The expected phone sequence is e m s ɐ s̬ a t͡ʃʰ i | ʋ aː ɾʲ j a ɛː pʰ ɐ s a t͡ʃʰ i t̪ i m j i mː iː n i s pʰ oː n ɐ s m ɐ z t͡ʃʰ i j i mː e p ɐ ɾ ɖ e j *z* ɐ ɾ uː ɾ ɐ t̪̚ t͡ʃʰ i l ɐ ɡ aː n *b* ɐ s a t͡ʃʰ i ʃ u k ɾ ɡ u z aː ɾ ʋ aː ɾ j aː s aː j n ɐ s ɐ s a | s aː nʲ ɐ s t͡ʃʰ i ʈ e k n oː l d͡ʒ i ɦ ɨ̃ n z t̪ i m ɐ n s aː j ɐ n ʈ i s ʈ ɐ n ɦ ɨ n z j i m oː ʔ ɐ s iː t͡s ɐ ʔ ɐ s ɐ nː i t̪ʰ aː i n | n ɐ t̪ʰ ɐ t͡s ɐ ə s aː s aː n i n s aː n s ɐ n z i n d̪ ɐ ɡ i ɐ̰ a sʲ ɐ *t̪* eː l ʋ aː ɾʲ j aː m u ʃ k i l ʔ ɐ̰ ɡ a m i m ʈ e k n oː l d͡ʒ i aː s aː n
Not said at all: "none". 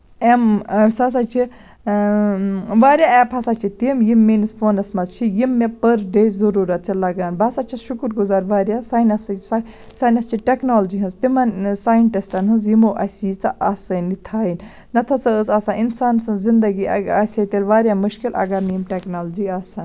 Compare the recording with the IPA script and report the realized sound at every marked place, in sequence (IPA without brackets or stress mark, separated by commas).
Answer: z, b, t̪